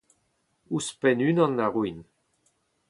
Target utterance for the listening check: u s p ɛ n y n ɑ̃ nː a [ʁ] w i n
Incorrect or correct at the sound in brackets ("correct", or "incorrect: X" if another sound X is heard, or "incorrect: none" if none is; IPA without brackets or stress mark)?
correct